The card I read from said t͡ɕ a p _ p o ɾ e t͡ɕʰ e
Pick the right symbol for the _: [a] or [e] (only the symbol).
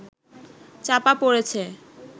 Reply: a